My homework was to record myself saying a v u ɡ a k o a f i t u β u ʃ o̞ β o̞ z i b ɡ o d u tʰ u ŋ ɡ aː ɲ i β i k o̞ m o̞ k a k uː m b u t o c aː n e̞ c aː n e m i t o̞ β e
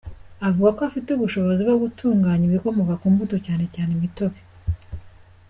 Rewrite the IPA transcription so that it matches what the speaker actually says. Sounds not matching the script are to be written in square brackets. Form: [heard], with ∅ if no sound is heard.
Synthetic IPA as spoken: a v u ɡ a k o a f i t u β u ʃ o̞ β o̞ z i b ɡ o [ɡ] u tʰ [uː] ŋ ɡ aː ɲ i β i k o̞ m o̞ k a k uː m b u t o c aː n e̞ c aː n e m i t o̞ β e